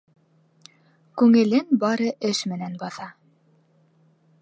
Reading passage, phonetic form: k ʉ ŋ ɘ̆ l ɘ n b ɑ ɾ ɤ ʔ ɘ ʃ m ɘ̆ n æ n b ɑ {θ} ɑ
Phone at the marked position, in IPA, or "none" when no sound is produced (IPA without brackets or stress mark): θ